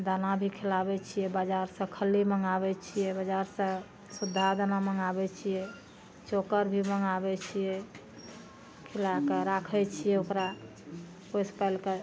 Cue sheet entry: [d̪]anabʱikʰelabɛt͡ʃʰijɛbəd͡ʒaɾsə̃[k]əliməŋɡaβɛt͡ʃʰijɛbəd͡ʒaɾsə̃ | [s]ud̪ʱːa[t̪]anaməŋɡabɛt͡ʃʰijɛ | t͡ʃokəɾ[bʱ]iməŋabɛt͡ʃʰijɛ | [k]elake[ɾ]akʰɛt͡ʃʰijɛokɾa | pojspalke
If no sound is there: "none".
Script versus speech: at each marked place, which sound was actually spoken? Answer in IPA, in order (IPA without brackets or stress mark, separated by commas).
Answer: d̪, kʰ, s, d̪, bʱ, kʰ, ɾ